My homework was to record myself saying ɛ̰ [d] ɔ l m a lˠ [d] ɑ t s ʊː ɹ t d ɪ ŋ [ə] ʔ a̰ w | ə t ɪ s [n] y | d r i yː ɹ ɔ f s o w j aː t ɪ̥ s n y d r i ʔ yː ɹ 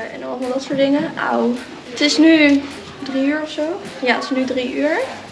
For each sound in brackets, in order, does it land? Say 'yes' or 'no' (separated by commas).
no, yes, yes, yes